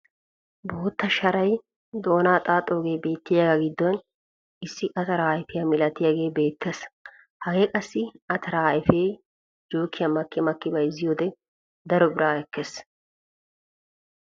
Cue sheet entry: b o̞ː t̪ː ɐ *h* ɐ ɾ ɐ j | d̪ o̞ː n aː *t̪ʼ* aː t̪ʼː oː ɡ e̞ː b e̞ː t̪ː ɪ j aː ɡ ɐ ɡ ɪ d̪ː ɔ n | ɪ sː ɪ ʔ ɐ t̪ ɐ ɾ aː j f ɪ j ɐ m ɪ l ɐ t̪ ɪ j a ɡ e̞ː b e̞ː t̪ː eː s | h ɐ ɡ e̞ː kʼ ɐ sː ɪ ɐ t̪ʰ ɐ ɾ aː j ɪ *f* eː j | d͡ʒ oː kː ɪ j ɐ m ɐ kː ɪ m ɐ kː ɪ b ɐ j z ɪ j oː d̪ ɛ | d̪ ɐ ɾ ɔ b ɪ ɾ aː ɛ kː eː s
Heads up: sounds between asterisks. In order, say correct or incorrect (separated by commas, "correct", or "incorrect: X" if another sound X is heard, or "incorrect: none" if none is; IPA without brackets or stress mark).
incorrect: ʃ, correct, correct